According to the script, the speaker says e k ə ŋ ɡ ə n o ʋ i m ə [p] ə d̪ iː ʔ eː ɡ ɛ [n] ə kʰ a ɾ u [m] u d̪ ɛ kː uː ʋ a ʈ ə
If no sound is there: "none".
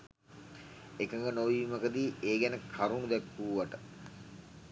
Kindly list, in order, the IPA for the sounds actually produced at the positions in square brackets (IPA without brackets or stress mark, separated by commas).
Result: k, n, n